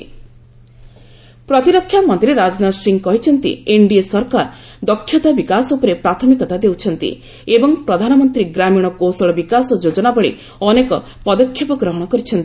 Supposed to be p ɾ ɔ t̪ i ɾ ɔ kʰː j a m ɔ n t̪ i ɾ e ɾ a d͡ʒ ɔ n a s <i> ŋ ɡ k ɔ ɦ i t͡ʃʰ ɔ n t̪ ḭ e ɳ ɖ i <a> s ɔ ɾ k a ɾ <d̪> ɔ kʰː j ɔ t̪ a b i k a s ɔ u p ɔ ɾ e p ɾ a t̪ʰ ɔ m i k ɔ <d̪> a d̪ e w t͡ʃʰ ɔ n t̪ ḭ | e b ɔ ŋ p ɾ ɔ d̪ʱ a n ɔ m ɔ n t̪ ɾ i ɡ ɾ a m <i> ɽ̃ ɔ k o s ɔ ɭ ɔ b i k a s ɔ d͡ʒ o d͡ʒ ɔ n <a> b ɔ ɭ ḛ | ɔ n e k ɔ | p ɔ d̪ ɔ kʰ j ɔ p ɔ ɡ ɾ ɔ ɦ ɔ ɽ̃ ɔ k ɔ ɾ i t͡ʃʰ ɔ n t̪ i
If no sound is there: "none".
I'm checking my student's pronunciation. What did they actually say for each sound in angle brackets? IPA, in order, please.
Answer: i, e, d̪, t̪, i, a

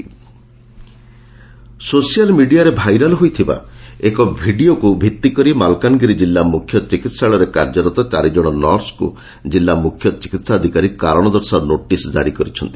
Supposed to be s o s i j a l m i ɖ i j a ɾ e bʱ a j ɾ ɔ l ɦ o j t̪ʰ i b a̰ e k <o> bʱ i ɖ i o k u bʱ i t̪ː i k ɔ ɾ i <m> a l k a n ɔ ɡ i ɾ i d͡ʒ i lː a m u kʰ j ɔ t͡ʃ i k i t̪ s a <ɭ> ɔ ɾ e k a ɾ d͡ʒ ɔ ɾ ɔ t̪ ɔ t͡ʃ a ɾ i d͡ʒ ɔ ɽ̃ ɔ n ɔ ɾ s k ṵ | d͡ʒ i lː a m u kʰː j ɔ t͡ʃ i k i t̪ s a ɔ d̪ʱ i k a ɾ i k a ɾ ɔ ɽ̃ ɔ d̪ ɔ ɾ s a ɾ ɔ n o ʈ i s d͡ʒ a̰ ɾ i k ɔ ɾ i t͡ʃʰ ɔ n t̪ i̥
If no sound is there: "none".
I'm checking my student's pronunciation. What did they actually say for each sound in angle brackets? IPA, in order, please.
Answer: ɔ, m, ɭ

